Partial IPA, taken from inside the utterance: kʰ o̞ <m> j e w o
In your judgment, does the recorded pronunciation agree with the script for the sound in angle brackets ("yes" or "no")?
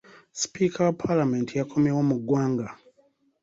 yes